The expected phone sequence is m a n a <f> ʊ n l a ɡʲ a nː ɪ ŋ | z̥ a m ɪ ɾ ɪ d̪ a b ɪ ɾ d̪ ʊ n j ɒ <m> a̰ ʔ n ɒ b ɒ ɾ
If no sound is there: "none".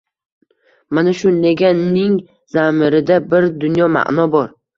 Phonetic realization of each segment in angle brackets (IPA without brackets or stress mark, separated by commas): ʃ, m